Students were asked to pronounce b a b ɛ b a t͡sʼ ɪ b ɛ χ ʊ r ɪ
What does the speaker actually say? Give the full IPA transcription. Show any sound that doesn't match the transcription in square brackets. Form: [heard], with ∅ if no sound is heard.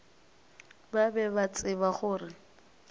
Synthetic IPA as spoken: b a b ɛ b a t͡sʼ ɪ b [a] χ [ʊː] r ɪ